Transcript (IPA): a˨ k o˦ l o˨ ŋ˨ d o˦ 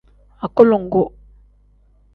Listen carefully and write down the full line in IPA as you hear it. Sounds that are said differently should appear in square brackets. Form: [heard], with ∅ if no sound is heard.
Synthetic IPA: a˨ k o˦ l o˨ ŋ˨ [ɡ] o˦